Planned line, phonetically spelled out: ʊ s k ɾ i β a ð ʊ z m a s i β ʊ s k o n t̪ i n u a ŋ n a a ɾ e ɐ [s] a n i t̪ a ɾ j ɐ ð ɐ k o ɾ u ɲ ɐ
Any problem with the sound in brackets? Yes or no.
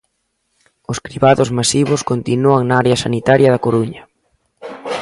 no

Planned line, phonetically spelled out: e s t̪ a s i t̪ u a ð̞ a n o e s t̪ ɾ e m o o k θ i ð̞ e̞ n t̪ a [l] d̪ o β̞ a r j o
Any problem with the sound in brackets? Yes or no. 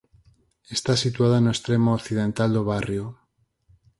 no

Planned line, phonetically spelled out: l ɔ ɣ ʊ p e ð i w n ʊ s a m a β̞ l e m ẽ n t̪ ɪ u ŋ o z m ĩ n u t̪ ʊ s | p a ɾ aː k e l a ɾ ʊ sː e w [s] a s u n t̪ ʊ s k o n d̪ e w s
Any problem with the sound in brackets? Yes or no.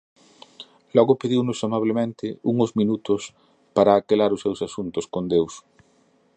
no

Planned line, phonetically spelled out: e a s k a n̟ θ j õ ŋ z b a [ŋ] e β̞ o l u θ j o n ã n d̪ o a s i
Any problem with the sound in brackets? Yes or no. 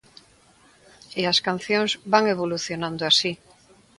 no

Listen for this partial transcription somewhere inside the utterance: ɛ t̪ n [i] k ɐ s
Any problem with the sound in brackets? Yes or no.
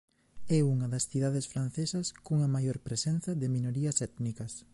no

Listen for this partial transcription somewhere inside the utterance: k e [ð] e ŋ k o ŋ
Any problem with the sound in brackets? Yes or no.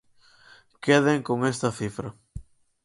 no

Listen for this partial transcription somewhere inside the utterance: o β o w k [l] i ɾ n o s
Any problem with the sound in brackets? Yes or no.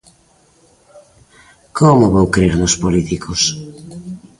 yes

